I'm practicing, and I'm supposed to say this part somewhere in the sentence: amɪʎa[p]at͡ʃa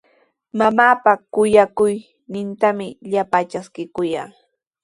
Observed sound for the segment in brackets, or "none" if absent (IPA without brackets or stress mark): p